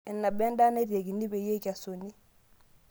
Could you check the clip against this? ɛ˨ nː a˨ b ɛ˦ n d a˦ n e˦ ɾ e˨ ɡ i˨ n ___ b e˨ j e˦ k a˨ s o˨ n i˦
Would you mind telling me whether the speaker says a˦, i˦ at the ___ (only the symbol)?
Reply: i˦